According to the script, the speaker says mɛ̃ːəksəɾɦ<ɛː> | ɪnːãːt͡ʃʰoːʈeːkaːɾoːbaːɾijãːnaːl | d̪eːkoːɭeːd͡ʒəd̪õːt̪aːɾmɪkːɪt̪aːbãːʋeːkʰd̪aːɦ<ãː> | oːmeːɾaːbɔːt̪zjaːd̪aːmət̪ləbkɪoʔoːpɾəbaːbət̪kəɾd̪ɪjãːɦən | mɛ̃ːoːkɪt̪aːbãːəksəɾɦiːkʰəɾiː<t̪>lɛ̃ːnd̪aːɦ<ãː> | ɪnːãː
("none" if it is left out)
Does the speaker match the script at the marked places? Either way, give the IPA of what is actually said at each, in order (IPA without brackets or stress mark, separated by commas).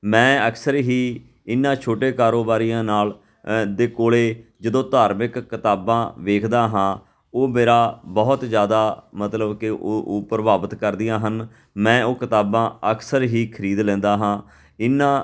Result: iː, ãː, d̪, ãː